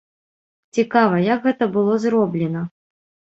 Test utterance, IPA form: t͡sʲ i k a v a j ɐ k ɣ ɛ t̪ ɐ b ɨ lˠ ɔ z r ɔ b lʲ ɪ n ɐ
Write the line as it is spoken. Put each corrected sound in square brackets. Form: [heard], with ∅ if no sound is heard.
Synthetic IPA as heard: t͡sʲ i k a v [ɐ] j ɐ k ɣ ɛ t̪ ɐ b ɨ lˠ ɔ z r ɔ b lʲ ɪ n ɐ